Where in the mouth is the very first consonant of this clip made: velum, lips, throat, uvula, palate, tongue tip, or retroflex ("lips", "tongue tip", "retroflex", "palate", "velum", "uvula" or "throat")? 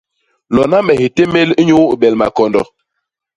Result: tongue tip